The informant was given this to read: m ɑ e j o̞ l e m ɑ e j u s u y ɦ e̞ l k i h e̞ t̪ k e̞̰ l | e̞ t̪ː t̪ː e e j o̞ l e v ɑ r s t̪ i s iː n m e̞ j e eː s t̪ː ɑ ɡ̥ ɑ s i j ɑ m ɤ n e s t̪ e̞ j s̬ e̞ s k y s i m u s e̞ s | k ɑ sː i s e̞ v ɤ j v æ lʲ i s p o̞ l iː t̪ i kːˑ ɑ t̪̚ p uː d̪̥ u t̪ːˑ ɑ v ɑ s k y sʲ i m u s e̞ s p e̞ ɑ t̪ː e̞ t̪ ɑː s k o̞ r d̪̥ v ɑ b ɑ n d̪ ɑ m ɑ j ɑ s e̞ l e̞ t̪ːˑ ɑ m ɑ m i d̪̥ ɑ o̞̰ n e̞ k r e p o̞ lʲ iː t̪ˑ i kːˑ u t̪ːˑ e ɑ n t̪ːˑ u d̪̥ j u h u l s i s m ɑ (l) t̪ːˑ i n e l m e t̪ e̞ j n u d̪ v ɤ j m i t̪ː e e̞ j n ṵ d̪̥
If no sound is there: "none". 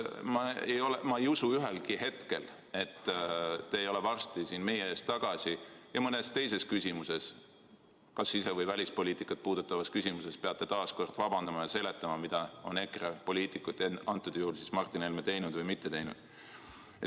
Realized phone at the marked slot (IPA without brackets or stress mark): r